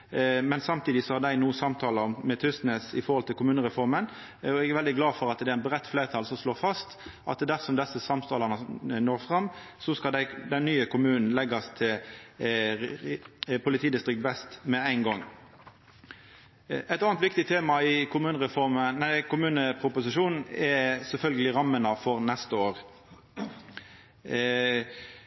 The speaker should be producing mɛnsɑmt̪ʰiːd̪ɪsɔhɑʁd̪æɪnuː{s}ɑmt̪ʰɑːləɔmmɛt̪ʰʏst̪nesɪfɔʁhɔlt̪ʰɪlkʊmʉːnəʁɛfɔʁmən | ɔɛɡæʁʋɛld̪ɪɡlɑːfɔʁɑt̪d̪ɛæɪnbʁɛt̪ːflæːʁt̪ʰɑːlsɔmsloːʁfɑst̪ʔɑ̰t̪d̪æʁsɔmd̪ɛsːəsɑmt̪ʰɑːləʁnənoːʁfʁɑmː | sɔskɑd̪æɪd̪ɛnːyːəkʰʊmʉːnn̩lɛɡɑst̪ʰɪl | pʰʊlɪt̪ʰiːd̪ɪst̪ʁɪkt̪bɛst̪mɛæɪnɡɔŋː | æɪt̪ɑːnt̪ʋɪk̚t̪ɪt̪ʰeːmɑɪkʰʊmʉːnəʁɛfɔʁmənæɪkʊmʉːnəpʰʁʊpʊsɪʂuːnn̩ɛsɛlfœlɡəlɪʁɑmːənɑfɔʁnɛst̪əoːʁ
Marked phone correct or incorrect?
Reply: correct